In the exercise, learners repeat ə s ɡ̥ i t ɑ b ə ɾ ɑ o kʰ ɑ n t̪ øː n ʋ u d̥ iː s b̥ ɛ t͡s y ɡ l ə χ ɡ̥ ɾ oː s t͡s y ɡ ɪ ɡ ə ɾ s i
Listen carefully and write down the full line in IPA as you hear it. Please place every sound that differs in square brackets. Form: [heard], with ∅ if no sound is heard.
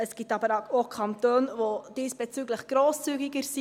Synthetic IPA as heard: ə s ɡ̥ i t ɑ b ə ɾ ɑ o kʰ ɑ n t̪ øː n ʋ [o] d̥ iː s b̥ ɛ t͡s y ɡ l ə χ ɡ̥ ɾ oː s t͡s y ɡ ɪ ɡ ə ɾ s i